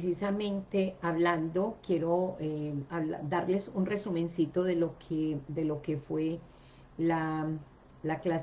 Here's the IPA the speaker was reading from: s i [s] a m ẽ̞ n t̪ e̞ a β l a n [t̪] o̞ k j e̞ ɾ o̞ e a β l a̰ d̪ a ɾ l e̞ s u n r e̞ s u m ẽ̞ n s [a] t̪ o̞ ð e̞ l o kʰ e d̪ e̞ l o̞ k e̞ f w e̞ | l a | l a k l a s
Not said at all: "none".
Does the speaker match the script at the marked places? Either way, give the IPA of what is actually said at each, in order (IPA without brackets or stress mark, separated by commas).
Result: s, d̪, i